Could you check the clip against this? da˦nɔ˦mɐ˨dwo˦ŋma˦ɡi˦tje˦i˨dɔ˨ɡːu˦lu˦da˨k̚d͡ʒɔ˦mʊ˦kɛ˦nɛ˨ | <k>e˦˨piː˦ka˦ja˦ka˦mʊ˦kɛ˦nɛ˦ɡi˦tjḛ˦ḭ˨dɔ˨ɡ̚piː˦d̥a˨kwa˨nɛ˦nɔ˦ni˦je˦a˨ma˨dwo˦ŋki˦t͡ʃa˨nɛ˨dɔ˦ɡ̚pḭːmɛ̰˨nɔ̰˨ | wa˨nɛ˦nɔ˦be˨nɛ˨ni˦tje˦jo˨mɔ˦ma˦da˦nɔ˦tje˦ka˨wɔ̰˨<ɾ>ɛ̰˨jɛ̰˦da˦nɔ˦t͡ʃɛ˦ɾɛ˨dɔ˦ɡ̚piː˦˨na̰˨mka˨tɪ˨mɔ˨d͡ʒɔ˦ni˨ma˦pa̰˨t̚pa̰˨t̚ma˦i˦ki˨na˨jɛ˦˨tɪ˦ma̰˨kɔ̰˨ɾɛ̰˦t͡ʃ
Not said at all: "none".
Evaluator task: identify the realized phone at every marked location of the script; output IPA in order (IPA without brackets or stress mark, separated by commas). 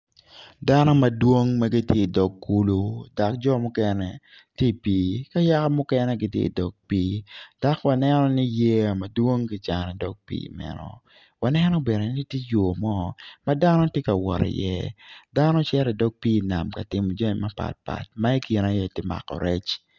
t, ɾ